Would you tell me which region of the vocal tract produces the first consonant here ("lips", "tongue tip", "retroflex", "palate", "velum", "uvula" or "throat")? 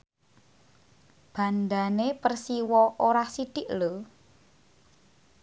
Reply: lips